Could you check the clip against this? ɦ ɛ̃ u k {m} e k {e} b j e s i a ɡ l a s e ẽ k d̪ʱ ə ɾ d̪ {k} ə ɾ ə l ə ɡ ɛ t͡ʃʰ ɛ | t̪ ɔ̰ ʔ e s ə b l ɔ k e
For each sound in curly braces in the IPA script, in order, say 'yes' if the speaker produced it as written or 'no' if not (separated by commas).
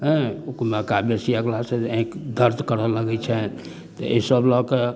yes, no, yes